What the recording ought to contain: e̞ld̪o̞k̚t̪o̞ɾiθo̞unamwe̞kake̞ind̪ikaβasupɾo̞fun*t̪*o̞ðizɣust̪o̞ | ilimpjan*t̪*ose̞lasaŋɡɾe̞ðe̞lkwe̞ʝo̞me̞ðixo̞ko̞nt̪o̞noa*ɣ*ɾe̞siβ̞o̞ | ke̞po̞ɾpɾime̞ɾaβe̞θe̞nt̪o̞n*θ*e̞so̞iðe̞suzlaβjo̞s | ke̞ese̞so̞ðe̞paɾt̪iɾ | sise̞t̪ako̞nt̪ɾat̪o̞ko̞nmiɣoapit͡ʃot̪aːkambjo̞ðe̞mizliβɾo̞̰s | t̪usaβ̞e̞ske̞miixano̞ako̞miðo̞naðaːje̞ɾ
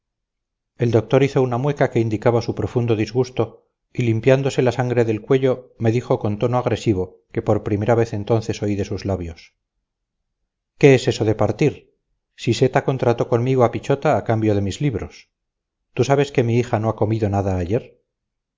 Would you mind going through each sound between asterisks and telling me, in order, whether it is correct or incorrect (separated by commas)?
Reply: incorrect, incorrect, correct, correct